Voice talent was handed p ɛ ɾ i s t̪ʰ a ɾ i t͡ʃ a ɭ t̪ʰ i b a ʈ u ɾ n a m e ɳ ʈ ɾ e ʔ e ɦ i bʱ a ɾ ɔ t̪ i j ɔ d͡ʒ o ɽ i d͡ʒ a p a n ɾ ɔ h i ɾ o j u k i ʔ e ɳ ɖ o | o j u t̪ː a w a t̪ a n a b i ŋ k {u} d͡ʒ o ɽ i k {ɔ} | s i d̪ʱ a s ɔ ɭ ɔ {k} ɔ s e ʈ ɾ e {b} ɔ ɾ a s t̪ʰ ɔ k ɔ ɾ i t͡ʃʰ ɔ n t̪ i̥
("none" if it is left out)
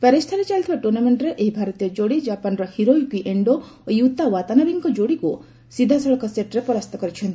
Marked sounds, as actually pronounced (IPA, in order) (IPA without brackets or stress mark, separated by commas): ɔ, u, k, p